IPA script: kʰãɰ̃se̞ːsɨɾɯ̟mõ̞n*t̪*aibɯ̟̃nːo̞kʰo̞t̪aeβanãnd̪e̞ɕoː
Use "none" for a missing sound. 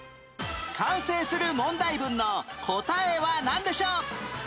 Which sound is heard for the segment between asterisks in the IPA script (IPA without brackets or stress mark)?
d̪